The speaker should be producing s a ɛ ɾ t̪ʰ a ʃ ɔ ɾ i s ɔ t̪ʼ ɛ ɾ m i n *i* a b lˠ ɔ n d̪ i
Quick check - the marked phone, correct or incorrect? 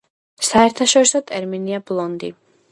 correct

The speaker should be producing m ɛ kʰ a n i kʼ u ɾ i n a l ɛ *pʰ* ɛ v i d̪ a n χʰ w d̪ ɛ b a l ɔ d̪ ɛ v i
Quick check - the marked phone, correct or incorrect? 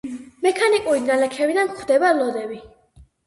incorrect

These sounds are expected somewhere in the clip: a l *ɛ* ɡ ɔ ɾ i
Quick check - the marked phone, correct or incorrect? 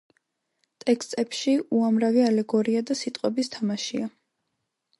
correct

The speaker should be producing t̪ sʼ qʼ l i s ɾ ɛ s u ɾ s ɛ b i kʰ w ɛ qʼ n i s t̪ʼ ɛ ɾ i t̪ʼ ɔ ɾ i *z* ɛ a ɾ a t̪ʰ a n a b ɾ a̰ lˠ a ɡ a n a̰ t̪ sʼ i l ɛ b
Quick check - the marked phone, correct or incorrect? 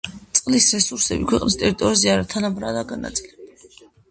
correct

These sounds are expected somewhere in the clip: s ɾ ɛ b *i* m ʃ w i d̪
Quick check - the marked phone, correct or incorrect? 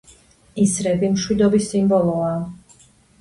correct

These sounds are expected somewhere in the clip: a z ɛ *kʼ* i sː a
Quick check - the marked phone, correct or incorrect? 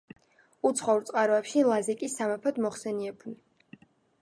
correct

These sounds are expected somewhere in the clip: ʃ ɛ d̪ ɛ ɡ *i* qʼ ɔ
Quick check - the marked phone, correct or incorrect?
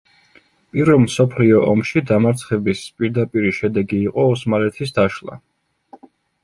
incorrect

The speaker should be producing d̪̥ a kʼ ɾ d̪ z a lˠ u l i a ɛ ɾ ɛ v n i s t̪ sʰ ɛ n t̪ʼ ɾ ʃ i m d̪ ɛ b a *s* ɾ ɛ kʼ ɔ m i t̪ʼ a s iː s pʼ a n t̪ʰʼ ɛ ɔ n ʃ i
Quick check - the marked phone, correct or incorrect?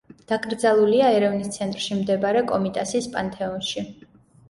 incorrect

